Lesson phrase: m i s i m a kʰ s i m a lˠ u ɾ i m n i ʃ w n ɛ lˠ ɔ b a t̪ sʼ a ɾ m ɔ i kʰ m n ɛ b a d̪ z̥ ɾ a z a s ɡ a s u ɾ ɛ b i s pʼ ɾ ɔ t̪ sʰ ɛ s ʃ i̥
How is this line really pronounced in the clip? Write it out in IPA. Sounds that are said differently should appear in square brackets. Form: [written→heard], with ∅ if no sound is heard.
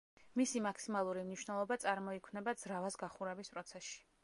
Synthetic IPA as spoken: m i s i m a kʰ s i m a lˠ u ɾ i m n i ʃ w n ɛ lˠ ɔ b a t̪ sʼ a ɾ m ɔ i kʰ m n ɛ b a d̪ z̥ ɾ a [z→v] a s ɡ a [s→χ] u ɾ ɛ b i s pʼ ɾ ɔ t̪ sʰ ɛ s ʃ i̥